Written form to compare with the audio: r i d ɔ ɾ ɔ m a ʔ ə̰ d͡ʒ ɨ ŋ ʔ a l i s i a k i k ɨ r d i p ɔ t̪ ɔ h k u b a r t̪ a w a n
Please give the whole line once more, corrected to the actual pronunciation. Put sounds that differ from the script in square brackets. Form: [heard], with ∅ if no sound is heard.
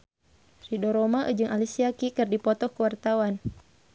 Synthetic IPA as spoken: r i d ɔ ɾ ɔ m a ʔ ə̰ d͡ʒ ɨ ŋ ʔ a l i s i a k i k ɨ r d i p ɔ t̪ ɔ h k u [w] a r t̪ a w a n